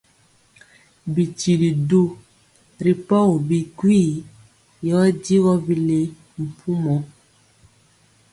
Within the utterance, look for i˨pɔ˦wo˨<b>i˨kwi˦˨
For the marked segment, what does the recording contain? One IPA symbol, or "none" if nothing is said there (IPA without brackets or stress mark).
b